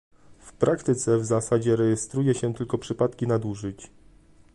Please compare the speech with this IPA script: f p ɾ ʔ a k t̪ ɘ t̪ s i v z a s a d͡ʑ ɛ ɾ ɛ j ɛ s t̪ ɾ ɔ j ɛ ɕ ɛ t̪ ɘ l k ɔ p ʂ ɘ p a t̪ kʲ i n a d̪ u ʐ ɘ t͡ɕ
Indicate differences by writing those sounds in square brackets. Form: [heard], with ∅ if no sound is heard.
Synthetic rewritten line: f p ɾ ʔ a k t̪ ɘ t̪ s [ɛ] v z a s a d͡ʑ ɛ ɾ ɛ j ɛ s t̪ ɾ [u] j ɛ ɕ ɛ t̪ ɘ l k ɔ p ʂ ɘ p a t̪ kʲ i n a d̪ u ʐ ɘ t͡ɕ